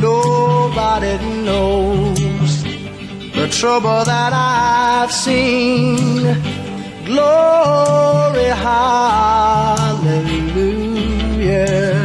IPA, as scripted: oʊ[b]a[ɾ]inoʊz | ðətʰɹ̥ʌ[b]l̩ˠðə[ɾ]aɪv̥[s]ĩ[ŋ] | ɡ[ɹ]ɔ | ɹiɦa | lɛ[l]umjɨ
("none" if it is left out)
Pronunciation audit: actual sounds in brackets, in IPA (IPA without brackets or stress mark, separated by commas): b, ɾ, b, ɾ, s, n, l, l